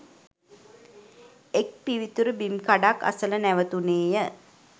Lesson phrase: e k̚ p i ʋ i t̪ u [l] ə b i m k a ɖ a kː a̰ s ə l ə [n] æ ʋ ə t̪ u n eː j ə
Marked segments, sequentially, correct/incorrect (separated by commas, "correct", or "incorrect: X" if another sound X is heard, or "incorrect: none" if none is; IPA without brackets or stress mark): incorrect: ɾ, correct